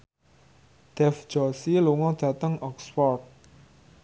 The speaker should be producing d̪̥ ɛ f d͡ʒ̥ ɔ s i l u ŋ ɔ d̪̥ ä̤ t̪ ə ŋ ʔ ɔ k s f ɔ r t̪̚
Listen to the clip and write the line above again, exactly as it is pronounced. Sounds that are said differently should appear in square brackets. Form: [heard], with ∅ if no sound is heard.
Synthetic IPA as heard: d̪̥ ɛ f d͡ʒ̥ ɔ s i l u ŋ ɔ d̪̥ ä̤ t̪ ə ŋ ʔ ɔ k s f ɔ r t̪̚